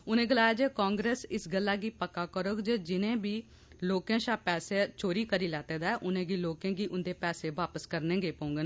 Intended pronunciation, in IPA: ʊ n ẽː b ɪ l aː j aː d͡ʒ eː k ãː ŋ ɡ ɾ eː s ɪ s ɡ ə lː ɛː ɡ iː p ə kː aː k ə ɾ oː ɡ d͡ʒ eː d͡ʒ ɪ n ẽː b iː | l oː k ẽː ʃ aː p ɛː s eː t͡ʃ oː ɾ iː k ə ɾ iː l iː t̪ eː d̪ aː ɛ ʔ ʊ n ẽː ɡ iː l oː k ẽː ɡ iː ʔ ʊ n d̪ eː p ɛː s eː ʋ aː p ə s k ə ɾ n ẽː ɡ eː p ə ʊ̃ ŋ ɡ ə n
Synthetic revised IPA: ʊ n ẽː ɡ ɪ l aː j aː d͡ʒ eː k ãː ŋ ɡ ɾ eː s ɪ s ɡ ə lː aː ɡ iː p ə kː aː k ə ɾ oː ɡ d͡ʒ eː d͡ʒ ɪ n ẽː b iː | l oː k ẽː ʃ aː p ɛː s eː t͡ʃ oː ɾ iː k ə ɾ iː l ɛː t̪ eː d̪ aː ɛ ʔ ʊ n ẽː ɡ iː l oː k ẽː ɡ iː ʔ ʊ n d̪ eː p ɛː s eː ʋ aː p ə s k ə ɾ n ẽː ɡ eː p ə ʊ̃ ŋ ɡ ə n

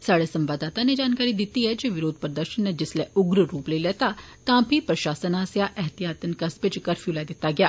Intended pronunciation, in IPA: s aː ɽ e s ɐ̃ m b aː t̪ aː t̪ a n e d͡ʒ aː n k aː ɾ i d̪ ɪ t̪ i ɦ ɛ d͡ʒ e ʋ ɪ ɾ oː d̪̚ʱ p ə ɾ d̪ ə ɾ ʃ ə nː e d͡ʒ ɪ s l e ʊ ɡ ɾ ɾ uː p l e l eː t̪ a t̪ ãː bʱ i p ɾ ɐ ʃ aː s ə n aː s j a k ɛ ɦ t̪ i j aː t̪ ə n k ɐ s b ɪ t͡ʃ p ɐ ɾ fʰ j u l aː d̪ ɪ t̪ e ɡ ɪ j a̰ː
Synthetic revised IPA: s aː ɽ e s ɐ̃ m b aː d̪ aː t̪ a n e d͡ʒ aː n k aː ɾ i d̪ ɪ t̪ i ɦ ɛ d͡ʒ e ʋ ɪ ɾ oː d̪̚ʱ p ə ɾ d̪ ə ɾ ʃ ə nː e d͡ʒ ɪ s l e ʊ ɡ ɾ ɾ uː p l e l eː t̪ a t̪ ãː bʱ i p ɾ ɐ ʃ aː s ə n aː s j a ʔ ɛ ɦ t̪ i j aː t̪ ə n k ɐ s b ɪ t͡ʃ k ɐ ɾ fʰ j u l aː d̪ ɪ t̪ a ɡ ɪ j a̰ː

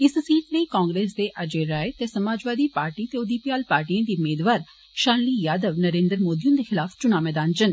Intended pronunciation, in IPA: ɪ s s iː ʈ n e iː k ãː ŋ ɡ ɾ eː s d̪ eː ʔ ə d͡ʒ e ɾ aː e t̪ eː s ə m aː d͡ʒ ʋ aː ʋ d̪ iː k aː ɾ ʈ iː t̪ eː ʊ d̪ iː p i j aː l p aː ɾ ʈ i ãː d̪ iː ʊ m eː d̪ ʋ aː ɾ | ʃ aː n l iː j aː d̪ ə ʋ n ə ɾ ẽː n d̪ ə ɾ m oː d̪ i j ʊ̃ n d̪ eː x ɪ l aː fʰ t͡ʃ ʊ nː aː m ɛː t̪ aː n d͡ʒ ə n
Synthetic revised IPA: ɪ s s iː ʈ n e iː k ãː ŋ ɡ ɾ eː s d̪ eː ʔ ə d͡ʒ e ɾ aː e t̪ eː s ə m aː d͡ʒ ʋ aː d̪ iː p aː ɾ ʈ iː t̪ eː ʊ d̪ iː p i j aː l p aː ɾ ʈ i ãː d̪ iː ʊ m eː d̪ ʋ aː ɾ | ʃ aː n l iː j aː d̪ ə ʋ n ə ɾ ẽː n d̪ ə ɾ m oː d̪ i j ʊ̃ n d̪ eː x ɪ l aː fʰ t͡ʃ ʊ n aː m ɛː d̪ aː n d͡ʒ ə n

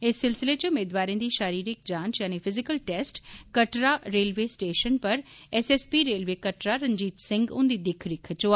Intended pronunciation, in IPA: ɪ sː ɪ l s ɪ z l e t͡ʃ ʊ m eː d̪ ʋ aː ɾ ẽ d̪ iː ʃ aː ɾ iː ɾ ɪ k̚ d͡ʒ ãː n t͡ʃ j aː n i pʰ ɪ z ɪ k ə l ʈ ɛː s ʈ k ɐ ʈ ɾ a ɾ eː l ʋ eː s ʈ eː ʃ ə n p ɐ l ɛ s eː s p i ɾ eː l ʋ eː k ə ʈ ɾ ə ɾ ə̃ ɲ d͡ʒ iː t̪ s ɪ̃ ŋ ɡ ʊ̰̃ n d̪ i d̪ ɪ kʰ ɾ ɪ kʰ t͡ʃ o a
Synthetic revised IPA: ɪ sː ɪ l s ɪ l e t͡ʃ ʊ m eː d̪ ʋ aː ɾ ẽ d̪ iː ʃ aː ɾ iː ɾ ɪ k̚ d͡ʒ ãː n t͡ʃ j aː n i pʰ ɪ z ɪ k ə l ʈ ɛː s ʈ k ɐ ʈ ɾ a ɾ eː l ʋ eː s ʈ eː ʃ ə n p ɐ ɾ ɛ s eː s p i ɾ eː l ʋ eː k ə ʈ ɾ a ɾ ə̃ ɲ d͡ʒ iː t̪ s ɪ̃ ŋ ɡ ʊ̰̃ n d̪ i d̪ ɪ kʰ ɾ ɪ kʰ t͡ʃ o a

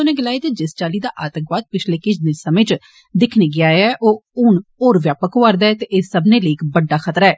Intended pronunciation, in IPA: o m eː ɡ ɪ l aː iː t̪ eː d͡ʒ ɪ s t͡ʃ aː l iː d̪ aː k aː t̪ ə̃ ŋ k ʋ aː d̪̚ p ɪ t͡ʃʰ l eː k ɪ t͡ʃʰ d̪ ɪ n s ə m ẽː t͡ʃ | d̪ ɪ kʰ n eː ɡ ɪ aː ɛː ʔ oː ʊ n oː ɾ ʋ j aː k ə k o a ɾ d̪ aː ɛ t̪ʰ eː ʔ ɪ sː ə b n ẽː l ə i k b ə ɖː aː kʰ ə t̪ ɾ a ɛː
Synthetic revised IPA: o n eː ɡ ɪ l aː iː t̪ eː d͡ʒ ɪ s t͡ʃ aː l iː d̪ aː ʔ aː t̪ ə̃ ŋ k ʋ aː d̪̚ p ɪ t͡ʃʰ l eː k ɪ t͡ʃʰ d̪ ɪ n s ə m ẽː t͡ʃ | d̪ ɪ kʰ n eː ɡ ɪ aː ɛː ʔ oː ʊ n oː ɾ ʋ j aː p ə k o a ɾ d̪ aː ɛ t̪ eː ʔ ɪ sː ə b n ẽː l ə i k b ə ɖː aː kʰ ə t̪ ɾ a ɛː

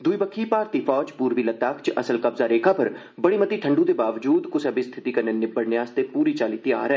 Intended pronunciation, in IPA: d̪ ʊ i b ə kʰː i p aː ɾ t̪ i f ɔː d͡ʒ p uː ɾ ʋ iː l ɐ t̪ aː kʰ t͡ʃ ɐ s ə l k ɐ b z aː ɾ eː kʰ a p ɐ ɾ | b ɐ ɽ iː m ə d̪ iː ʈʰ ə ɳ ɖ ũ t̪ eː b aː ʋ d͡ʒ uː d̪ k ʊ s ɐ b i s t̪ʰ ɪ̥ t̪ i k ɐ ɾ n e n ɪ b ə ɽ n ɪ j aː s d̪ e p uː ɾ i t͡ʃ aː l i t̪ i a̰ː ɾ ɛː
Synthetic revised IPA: d̪ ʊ i b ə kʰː i p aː ɾ t̪ i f ɔː d͡ʒ p uː ɾ ʋ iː l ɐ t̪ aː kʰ t͡ʃ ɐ s ə l k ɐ b z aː ɾ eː kʰ a p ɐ ɾ | b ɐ ɽ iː m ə t̪ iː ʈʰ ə ɳ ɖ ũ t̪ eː b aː ʋ d͡ʒ uː d̪ k ʊ s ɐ b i s t̪ʰ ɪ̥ t̪ i k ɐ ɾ n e n ɪ b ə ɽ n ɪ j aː s t̪ e p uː ɾ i t͡ʃ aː l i t̪ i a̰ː ɾ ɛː

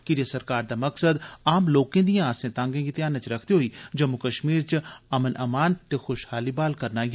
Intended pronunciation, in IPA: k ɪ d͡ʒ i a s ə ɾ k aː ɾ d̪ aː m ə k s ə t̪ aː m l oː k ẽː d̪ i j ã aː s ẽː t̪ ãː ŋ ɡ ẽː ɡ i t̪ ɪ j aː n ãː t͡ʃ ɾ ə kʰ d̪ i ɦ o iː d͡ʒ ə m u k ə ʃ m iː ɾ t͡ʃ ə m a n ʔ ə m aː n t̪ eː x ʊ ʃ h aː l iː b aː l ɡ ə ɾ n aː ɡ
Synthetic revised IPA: k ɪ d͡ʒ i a s ə ɾ k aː ɾ d̪ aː m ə k s ə d̪ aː m l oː k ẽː d̪ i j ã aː s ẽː t̪ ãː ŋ ɡ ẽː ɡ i t̪ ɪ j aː n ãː t͡ʃ ɾ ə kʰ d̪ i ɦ o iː d͡ʒ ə m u k ə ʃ m iː ɾ t͡ʃ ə m ə n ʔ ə m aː n t̪ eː x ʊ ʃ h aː l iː b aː l k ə ɾ n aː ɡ

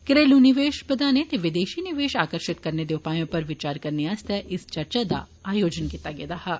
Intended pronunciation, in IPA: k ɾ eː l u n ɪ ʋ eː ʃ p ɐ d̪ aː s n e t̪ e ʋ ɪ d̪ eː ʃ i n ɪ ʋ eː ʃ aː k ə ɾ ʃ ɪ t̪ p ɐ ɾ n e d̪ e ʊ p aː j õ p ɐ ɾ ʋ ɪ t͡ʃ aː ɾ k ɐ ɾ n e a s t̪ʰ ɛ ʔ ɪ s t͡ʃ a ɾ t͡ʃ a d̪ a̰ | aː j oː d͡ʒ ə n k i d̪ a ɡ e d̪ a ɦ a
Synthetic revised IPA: k ɾ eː l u n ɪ ʋ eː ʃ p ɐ d̪ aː n e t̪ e ʋ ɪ d̪ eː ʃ i n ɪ ʋ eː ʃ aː k ə ɾ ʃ ɪ t̪ k ɐ ɾ n e d̪ e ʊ p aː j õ p ɐ ɾ ʋ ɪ t͡ʃ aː ɾ k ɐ ɾ n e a s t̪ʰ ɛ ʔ ɪ s t͡ʃ ɐ ɾ t͡ʃ a d̪ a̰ | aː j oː d͡ʒ ə n k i t̪ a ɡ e d̪ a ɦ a

